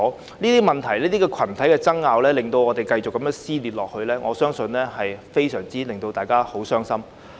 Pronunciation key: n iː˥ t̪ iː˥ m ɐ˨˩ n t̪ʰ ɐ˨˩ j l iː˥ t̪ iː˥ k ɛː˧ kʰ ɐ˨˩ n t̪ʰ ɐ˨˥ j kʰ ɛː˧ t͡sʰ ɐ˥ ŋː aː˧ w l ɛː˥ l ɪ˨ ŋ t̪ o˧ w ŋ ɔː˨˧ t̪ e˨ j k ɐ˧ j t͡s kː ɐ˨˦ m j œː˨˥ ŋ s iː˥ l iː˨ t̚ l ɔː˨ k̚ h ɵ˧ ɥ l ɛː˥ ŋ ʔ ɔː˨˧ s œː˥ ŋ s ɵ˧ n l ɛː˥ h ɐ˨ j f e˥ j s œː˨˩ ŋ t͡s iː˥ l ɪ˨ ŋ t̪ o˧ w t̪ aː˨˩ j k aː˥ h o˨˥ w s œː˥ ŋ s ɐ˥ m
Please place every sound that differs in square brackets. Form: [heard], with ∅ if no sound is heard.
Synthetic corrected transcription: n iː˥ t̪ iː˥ m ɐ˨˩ n t̪ʰ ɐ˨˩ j l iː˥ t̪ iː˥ k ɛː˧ kʰ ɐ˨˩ n t̪ʰ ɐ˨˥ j [k] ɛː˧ [t͡s] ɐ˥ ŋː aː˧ w l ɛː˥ l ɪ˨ ŋ t̪ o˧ w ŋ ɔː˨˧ t̪ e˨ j k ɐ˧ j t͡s kː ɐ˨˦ m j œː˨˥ ŋ s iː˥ l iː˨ t̚ l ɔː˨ k̚ h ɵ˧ ɥ l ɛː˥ ŋ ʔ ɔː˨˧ s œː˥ ŋ s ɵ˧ n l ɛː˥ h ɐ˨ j f e˥ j s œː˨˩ ŋ t͡s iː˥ l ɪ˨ ŋ t̪ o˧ w t̪ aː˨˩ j k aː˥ h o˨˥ w s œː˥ ŋ s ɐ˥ m